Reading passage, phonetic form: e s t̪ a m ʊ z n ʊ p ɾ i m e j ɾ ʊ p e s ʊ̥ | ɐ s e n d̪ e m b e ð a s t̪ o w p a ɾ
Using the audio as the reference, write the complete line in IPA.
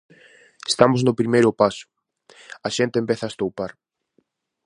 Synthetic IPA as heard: e s t̪ a m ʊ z n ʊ p ɾ i m e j ɾ ʊ p a s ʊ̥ | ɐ ʃ e n t̪ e m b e θ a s t̪ o w p a ɾ